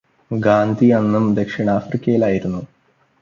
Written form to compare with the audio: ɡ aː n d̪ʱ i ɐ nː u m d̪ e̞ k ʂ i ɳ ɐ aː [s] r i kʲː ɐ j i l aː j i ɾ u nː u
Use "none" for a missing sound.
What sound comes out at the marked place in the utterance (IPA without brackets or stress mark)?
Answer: f